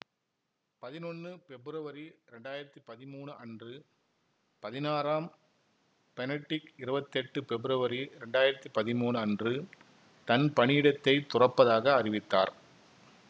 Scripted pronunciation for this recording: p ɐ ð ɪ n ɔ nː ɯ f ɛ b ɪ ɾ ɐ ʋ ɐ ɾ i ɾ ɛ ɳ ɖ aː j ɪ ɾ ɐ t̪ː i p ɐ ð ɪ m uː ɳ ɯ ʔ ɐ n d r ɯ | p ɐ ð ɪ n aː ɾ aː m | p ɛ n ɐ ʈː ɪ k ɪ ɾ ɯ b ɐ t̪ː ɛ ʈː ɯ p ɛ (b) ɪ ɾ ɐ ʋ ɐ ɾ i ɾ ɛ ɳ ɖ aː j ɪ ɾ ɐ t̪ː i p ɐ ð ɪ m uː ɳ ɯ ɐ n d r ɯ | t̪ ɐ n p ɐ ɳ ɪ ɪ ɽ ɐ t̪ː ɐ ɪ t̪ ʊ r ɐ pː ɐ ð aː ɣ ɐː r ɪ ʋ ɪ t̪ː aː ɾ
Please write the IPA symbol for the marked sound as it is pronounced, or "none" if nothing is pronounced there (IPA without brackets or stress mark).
b